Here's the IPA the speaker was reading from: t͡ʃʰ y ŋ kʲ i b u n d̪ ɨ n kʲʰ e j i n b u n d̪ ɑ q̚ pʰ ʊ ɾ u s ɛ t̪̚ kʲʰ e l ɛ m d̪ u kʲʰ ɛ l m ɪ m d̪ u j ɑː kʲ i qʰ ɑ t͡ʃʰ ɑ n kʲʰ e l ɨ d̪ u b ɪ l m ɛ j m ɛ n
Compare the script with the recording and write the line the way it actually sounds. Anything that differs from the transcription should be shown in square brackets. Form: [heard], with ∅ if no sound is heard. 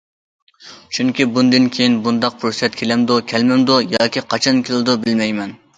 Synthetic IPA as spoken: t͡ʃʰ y ŋ kʲ i b u n d̪ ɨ n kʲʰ e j i n b u n d̪ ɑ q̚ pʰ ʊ ɾ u s ɛ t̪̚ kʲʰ e l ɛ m d̪ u kʲʰ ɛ l m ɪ m d̪ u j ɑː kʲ i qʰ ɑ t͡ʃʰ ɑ n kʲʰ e l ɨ d̪ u b ɪ l m ɛ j m ɛ n